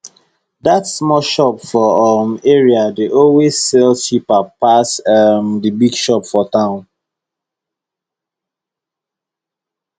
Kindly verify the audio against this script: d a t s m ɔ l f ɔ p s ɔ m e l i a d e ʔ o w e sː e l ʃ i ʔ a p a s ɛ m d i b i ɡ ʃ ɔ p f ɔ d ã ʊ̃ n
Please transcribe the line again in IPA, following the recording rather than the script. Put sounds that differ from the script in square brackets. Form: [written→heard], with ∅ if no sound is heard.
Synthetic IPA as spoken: d a t s m ɔ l [f→ʃ] ɔ p [s→f] ɔ m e [l→ɹ] i a d e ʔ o w e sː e l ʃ i [ʔ→p] a p a s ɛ m d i b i ɡ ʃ ɔ p f ɔ [d→t] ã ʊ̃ n